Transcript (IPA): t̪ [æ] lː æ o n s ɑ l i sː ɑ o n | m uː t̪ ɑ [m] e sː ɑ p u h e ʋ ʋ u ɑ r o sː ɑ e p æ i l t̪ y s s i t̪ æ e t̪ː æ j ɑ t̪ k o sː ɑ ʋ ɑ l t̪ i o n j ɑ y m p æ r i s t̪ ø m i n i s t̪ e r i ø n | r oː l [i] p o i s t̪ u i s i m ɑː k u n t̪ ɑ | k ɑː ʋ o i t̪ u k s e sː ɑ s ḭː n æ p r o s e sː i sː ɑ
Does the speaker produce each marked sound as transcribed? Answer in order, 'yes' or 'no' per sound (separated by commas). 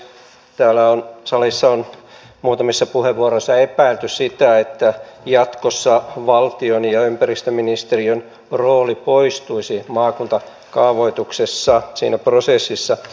no, yes, yes